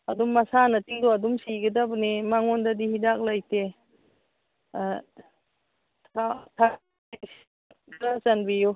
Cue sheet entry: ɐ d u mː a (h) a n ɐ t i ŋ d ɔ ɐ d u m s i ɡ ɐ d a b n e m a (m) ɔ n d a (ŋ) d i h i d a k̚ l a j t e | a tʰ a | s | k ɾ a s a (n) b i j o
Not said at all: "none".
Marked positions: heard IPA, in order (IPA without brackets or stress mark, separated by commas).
s, ŋ, none, n